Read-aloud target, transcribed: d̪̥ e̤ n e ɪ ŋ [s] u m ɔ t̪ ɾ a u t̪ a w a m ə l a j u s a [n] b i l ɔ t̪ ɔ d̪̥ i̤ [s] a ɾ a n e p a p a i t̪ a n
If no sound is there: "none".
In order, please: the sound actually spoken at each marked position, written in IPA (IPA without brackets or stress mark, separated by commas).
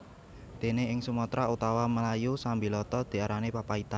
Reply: s, m, none